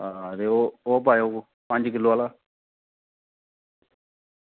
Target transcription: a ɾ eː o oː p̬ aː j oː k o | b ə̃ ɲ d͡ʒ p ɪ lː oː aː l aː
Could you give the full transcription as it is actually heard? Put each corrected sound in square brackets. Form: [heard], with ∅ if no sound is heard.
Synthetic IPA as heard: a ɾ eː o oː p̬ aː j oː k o | [p] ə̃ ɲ d͡ʒ [k] ɪ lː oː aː l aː